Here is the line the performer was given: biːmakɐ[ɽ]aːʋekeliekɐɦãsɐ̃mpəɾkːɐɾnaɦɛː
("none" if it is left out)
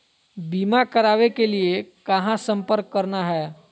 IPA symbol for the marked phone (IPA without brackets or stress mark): ɾ